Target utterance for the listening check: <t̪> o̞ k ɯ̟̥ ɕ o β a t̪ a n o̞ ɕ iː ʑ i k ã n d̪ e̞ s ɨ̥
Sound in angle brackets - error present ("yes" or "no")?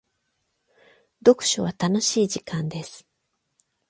yes